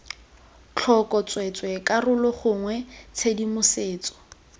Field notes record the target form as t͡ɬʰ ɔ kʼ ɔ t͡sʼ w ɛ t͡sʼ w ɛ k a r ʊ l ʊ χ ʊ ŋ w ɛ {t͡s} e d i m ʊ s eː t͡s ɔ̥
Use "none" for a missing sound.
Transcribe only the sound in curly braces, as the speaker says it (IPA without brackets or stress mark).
t͡sʰ